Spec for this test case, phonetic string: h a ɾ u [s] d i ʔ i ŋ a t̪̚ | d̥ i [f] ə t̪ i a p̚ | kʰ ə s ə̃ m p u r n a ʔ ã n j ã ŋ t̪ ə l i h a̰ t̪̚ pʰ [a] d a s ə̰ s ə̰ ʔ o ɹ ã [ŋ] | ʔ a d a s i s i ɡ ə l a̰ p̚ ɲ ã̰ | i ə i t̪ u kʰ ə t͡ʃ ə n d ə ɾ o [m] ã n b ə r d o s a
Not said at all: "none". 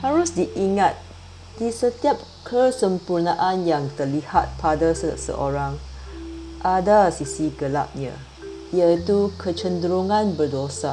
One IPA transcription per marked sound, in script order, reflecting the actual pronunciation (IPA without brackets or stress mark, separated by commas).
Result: s, s, a, ŋ, ŋ